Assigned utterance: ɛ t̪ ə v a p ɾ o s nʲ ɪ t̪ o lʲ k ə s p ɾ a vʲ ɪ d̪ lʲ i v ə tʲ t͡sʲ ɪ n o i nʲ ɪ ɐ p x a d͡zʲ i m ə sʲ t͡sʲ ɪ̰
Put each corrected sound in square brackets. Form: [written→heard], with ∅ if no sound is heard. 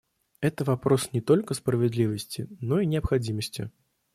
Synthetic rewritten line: ɛ t̪ ə v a p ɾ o s nʲ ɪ t̪ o lʲ k ə s p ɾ [a→ə] vʲ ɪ d̪ lʲ i v ə [tʲ→sʲ] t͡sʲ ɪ n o i nʲ ɪ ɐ p x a d͡zʲ i m ə sʲ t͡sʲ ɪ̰